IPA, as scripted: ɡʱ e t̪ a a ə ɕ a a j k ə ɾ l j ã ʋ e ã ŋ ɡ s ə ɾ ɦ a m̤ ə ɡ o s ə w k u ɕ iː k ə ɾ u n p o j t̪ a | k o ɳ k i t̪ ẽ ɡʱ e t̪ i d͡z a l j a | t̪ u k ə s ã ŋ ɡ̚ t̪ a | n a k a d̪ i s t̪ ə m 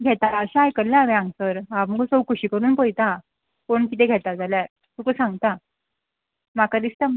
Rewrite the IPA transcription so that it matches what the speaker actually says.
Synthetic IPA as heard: ɡʱ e t̪ a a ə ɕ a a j k ə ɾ l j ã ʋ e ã ŋ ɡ s ə ɾ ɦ a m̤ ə ɡ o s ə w k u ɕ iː k ə ɾ uː n p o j t̪ a | k o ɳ k i t̪ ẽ ɡʱ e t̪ a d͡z a l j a | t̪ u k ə s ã ŋ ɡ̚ t̪ a | m a k a d̪ i s t̪ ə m